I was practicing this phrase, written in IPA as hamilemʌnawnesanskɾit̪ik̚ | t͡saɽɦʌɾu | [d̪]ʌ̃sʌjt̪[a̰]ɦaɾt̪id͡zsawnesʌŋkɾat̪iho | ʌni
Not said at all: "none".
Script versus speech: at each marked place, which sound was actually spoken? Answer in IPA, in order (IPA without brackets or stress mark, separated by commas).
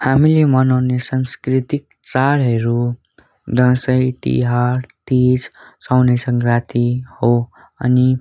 d̪, ḭ